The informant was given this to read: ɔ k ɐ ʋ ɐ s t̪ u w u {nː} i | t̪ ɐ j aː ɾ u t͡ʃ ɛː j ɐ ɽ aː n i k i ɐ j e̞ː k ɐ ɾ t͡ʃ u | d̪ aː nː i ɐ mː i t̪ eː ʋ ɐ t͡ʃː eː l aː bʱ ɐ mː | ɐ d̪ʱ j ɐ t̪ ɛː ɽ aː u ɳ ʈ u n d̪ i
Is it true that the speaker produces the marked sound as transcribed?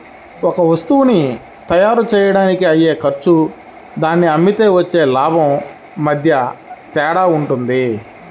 no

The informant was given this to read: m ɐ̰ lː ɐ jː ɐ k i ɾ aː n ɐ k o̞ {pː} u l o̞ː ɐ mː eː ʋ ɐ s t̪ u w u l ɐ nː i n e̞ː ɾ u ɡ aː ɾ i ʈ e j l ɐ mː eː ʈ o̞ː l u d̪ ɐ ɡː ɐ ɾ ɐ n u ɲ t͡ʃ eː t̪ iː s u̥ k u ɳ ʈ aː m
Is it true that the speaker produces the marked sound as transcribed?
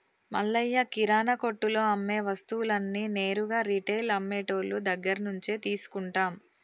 no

